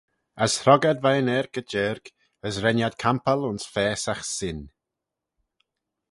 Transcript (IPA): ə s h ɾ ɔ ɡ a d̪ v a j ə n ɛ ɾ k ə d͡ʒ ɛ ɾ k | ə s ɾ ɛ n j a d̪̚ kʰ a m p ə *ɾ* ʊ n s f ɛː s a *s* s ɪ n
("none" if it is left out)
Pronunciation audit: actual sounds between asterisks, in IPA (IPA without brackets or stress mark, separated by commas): l, x